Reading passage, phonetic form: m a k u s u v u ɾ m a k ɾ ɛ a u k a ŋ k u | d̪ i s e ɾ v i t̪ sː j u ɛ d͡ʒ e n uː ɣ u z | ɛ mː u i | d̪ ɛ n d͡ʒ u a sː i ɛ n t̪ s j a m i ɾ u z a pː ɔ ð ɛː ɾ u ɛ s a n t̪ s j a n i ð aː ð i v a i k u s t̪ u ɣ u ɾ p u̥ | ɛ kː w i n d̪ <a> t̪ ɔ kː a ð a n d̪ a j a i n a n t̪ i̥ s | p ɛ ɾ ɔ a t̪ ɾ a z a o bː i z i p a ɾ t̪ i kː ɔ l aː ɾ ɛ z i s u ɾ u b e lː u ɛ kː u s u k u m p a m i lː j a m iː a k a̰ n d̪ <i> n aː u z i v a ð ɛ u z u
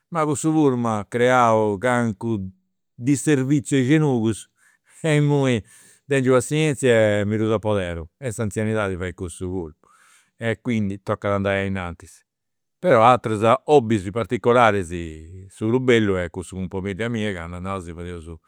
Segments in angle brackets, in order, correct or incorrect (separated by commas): incorrect, incorrect